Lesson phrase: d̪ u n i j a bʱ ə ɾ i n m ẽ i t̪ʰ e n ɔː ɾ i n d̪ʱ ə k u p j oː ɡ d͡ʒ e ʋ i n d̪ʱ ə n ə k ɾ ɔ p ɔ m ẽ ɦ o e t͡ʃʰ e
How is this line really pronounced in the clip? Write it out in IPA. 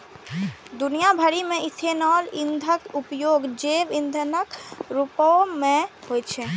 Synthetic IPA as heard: d̪ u n i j a bʱ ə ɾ i m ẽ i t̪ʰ e n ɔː l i n d̪ʱ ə k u p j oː ɡ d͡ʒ e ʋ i n d̪ʱ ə n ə k ɾ u p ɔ m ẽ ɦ o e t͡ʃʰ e